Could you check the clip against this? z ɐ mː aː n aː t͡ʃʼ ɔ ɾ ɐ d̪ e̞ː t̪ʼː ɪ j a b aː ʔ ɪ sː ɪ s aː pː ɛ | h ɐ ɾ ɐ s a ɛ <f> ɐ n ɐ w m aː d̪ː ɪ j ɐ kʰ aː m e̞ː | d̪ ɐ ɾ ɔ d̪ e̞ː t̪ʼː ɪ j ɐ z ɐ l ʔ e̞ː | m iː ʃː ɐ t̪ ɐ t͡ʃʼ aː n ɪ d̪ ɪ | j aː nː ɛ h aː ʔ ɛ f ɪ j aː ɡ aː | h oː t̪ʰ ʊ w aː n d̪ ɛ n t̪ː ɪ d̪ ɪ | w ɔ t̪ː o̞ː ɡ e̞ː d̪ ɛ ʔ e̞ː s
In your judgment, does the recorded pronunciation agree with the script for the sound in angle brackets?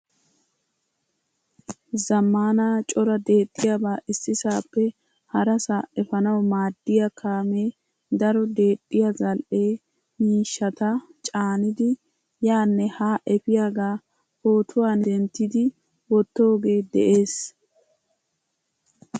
yes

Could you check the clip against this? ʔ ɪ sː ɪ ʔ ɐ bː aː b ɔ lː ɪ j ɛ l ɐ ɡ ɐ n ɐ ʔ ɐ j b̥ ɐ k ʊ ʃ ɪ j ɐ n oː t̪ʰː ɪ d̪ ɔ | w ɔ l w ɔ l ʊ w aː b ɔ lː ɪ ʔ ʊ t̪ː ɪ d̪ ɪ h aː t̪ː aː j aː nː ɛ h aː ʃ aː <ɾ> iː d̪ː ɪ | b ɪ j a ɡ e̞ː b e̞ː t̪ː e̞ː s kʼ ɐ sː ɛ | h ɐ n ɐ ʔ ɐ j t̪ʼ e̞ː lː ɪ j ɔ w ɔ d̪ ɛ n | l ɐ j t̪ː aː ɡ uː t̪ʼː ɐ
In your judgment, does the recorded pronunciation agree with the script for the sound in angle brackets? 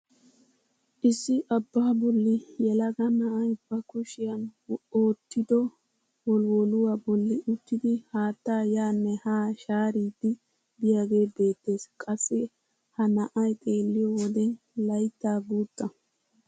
yes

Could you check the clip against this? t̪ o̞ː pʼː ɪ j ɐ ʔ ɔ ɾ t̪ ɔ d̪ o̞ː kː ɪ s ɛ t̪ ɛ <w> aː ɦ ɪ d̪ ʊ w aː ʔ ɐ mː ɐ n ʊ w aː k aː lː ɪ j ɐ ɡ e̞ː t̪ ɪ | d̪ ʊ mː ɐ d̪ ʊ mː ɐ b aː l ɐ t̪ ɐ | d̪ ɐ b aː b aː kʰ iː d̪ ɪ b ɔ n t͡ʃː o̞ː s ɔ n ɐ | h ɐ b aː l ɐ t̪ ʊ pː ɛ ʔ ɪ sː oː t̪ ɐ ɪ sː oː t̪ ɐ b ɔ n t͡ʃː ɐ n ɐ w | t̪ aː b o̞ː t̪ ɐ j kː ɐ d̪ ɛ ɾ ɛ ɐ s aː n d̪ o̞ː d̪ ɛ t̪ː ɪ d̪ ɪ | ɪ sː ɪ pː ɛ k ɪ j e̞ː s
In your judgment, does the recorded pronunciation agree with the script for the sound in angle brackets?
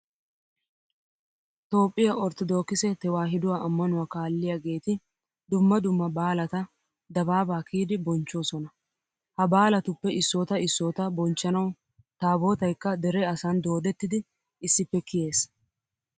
yes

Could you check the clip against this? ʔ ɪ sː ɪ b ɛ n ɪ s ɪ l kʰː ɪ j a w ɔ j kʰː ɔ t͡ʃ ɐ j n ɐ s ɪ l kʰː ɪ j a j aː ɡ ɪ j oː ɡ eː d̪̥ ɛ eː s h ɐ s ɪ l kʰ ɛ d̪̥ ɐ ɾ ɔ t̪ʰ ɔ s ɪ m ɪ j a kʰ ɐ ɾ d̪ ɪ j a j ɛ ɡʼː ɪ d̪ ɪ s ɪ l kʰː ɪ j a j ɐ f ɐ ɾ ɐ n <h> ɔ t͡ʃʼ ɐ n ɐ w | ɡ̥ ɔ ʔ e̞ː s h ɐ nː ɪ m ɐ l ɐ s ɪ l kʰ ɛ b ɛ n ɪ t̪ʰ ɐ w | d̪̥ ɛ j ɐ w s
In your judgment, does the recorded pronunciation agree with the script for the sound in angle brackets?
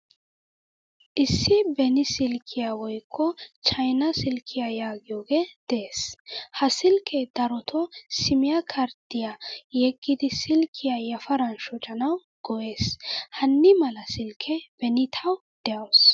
no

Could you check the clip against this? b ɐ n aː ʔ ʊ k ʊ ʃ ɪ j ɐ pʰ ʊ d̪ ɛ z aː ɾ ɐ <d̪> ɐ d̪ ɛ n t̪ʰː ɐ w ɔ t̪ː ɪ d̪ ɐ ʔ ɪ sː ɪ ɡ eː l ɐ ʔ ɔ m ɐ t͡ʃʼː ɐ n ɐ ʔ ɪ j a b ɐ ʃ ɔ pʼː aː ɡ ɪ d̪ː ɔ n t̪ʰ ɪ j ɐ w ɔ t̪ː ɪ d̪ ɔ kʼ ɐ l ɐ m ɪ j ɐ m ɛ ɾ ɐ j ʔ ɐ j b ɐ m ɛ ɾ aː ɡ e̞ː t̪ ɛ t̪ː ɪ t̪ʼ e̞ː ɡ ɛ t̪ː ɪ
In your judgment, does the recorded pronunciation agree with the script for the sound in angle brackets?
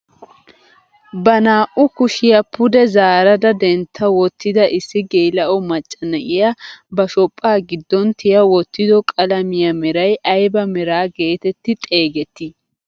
yes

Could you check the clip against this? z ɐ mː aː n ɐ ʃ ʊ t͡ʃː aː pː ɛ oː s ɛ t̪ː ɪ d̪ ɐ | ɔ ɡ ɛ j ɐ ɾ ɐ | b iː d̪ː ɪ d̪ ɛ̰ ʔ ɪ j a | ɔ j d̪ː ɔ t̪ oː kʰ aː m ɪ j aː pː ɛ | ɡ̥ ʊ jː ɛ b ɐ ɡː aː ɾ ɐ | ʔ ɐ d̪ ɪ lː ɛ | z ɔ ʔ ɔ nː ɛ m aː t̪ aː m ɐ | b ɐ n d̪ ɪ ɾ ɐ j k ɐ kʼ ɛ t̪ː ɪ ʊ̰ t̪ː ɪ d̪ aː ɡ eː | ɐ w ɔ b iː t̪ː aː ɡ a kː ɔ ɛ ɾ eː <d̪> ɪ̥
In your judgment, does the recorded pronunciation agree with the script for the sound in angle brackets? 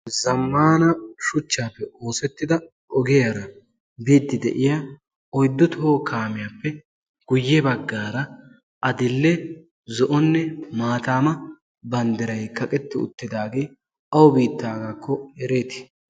no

